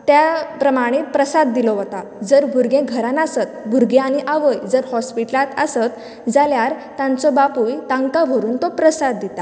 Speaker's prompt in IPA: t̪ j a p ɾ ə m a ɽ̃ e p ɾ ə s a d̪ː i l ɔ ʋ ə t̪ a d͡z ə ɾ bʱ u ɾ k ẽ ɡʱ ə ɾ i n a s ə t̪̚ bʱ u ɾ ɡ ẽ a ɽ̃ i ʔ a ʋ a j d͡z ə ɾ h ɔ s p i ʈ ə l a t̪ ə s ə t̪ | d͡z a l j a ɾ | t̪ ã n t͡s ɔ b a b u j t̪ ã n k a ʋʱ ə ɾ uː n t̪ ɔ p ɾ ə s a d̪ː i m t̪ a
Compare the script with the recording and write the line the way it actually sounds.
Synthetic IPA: t̪ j a p ɾ ə m a ɽ̃ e p ɾ ə s a d̪ː i l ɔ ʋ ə t̪ a d͡z ə ɾ bʱ u ɾ ɡ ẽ ɡʱ ə ɾ a n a s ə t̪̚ bʱ u ɾ ɡ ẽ a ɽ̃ i ʔ a ʋ ə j d͡z ə ɾ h ɔ s p i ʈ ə l a t̪ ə s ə t̪ | d͡z a l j a ɾ | t̪ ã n t͡s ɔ b a p u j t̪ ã ŋ k a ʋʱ ə ɾ uː n t̪ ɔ p ɾ ə s a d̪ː i t̪ a